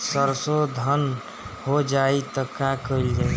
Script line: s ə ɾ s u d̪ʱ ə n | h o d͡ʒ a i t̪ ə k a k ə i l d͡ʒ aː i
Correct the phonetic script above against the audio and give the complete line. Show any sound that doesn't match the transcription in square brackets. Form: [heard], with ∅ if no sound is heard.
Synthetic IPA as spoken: s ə ɾ s [o] d̪ʱ ə n | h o d͡ʒ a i t̪ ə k a k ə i l d͡ʒ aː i